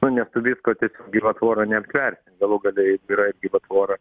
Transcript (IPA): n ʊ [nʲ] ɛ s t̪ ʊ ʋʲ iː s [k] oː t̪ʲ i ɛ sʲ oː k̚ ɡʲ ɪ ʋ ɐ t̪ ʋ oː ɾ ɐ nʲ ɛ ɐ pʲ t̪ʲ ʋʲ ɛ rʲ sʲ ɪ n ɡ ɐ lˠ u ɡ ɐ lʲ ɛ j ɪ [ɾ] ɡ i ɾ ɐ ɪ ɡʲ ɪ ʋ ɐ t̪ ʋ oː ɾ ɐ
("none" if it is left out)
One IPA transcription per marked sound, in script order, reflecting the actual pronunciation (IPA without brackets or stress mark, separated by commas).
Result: nʲ, k, none